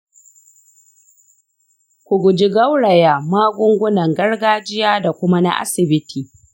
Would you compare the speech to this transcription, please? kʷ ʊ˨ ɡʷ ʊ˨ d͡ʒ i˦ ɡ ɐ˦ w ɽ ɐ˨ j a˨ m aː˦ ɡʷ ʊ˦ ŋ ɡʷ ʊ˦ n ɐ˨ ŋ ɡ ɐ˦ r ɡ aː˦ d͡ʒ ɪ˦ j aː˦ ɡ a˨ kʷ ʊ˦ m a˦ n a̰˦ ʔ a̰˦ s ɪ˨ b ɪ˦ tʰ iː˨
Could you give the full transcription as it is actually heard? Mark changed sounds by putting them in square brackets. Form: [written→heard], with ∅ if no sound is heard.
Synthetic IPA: kʷ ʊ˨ ɡʷ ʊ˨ d͡ʒ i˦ ɡ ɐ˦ w ɽ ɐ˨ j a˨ m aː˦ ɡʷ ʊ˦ ŋ ɡʷ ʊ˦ n ɐ˨ ŋ ɡ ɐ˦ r ɡ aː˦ d͡ʒ ɪ˦ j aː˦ [ɡ→d] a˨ kʷ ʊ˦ m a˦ n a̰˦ ʔ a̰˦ s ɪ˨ b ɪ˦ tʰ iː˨